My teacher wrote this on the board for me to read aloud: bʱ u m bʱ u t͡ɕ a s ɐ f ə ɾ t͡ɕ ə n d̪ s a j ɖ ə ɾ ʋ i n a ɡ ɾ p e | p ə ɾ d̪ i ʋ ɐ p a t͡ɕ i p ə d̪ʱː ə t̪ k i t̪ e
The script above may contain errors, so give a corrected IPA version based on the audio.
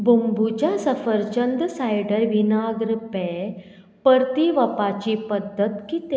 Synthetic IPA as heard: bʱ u m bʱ u t͡ɕ a s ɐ f ə ɾ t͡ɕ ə n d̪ s a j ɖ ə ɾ ʋ i n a ɡ ɾ p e | p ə ɾ t̪ i ʋ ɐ p a t͡ɕ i p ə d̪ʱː ə t̪ k i t̪ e